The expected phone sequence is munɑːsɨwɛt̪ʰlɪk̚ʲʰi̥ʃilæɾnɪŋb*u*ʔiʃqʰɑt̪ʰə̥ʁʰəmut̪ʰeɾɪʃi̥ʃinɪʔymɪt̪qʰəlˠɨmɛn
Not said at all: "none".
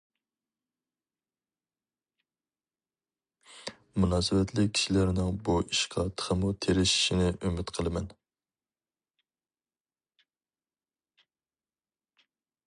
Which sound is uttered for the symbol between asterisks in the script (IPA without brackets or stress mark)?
u